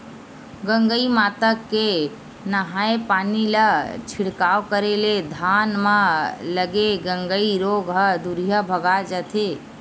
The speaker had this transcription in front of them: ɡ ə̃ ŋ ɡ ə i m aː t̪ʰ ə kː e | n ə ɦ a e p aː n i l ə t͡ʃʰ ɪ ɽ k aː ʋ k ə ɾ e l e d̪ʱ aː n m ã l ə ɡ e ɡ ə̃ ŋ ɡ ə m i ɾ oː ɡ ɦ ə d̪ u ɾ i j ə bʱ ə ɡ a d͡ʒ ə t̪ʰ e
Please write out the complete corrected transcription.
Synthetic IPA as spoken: ɡ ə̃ ŋ ɡ ə i m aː t̪ ə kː e | n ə ɦ a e p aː n i l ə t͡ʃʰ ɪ ɽ k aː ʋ k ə ɾ e l e d̪ʱ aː n m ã l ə ɡ e ɡ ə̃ ŋ ɡ ə i ɾ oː ɡ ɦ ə d̪ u ɾ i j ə bʱ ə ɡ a d͡ʒ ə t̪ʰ e